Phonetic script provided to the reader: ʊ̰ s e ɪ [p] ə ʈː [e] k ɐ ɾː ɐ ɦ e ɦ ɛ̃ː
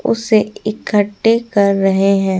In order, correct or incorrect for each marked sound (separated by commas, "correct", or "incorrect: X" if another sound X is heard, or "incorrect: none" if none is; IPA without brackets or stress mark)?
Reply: incorrect: k, correct